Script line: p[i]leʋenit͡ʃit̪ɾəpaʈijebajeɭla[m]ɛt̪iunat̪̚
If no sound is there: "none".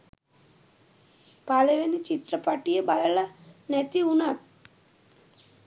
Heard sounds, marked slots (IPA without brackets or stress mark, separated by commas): a, n